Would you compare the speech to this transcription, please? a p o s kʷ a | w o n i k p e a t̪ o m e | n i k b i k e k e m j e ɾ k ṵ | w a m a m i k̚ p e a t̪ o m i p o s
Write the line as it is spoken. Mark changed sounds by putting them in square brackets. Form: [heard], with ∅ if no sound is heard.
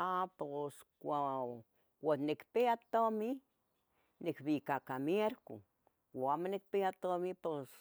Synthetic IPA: a p o s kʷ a | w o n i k p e a t̪ o m [i] | n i k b i k [a] k [a] m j e ɾ k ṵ | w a m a [n] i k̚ p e a t̪ o m i p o s

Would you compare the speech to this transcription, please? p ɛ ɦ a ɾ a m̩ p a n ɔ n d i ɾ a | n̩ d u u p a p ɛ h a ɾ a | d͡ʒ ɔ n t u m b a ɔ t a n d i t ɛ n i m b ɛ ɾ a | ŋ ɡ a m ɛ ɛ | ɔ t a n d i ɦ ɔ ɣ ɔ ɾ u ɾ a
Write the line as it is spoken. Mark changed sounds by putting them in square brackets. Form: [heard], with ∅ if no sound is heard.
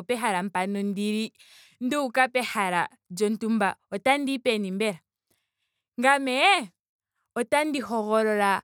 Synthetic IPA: p ɛ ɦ a ɾ a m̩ p a n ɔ n d i ɾ [i] | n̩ d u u [k] a p ɛ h a ɾ a | d͡ʒ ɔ n t u m b a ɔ t a n d i [p] ɛ n i m b ɛ ɾ a | ŋ ɡ a m ɛ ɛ | ɔ t a n d i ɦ ɔ ɣ ɔ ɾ [ɔ] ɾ a

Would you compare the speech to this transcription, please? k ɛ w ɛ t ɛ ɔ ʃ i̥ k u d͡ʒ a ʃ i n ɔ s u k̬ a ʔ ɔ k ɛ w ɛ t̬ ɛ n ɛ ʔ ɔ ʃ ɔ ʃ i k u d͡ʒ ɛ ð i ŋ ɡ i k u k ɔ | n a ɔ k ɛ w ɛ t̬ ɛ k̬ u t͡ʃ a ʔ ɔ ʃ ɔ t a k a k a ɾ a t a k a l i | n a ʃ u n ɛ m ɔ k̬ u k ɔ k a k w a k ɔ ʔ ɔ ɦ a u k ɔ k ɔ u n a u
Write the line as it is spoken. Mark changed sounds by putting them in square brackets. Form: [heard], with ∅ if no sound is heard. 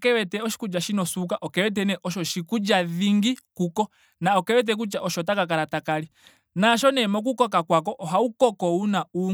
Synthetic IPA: k ɛ w ɛ t ɛ ɔ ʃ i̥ k u d͡ʒ a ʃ i n ɔ s u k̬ a ʔ ɔ k ɛ w ɛ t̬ ɛ n ɛ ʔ ɔ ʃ ɔ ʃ i k u d͡ʒ [a] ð i ŋ ɡ i k u k ɔ | n a ɔ k ɛ w ɛ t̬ ɛ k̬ u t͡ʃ a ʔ ɔ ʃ ɔ t a k a k a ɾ a t a k a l i | n a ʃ [ɔ] n ɛ m ɔ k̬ u k ɔ k a k w a k ɔ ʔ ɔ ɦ a u k ɔ k ɔ u n a u

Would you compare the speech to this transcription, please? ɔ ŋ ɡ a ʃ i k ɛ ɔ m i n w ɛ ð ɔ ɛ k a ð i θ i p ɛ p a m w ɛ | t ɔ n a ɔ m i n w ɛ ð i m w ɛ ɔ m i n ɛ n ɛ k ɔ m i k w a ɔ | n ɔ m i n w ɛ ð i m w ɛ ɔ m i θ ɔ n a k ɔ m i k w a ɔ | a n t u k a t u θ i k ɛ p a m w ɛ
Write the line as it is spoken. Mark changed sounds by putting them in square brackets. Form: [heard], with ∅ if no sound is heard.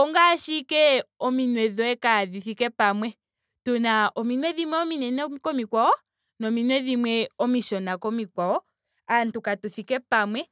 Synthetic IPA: ɔ ŋ ɡ a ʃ i k ɛ ɔ m i n w ɛ ð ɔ ɛ k a ð i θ i [k] ɛ p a m w ɛ | t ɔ n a ɔ m i n w ɛ ð i m w ɛ ɔ m i n ɛ n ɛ k ɔ m i k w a ɔ | n ɔ m i n w ɛ ð i m w ɛ ɔ m i [ʃ] ɔ n a k ɔ m i k w a ɔ | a n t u k a t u θ i k ɛ p a m w ɛ

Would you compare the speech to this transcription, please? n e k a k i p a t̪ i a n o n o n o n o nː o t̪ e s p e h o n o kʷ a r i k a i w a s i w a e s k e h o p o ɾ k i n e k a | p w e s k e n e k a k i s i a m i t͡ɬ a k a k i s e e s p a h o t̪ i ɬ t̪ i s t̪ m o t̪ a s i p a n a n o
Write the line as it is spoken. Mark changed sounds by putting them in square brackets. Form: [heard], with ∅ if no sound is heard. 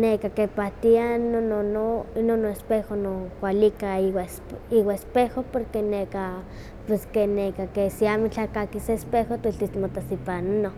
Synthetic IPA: n e k a k [e] p a t̪ i a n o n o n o n o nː o [∅] e s p e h o n o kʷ a [l] i k a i w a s i w a e s [p] e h o p o ɾ k [e] n e k a | p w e s k e n e k a k [e] s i a m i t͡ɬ a k a k i s e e s p [e] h o t̪ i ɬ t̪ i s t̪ m o t̪ a s i p a n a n o

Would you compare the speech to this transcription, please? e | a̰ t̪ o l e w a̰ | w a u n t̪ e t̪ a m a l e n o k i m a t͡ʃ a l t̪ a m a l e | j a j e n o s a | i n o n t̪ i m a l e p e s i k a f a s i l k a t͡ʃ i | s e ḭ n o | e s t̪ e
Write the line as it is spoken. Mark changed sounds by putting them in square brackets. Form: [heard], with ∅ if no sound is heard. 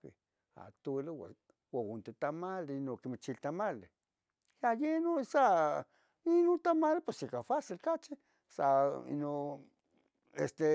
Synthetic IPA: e | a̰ t̪ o l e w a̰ | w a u n t̪ e t̪ a m a l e n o k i m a t͡ʃ [i] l t̪ a m a l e | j a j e n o s a | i n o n t̪ [a] m a l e p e s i k a f a s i l k a t͡ʃ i | s [a] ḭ n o | e s t̪ e

